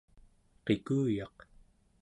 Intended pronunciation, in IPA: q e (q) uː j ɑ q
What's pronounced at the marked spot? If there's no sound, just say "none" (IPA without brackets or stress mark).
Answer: k